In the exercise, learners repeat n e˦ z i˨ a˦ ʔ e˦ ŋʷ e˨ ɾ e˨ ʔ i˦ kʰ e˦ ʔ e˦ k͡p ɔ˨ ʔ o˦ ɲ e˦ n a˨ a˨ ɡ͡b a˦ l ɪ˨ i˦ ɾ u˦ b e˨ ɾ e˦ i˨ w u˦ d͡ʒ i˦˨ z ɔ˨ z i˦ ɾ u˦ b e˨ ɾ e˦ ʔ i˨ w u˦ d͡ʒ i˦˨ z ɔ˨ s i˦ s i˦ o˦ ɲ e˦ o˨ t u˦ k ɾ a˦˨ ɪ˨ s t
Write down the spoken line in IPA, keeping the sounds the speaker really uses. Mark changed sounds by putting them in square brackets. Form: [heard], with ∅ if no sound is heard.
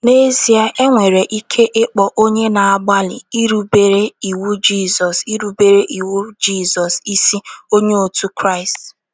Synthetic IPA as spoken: n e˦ z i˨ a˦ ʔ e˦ ŋʷ e˨ ɾ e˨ ʔ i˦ kʰ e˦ ʔ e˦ k͡p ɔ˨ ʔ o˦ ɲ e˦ n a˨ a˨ ɡ͡b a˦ l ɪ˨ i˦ ɾ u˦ b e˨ ɾ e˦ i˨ w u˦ d͡ʒ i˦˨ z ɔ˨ [s] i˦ ɾ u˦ b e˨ ɾ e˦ ʔ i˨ w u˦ d͡ʒ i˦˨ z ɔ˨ s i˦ s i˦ o˦ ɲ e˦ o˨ t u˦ k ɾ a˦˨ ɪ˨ s t